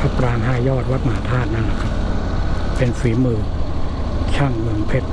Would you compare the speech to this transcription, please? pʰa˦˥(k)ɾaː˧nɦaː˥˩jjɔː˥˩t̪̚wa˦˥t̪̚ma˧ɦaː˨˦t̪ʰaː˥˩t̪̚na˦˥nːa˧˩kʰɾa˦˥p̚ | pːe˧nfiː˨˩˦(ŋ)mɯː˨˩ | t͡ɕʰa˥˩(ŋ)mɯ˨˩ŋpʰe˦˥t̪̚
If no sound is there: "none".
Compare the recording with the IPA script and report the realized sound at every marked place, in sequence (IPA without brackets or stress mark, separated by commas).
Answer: p, none, ŋ